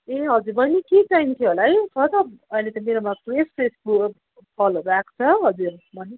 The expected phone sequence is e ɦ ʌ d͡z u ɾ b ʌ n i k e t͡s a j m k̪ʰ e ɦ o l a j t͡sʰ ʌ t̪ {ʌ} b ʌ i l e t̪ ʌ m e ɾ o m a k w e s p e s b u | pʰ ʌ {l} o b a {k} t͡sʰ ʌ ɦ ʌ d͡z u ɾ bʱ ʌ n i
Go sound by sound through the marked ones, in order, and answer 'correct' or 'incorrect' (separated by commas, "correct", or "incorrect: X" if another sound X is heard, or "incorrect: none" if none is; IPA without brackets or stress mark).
correct, correct, correct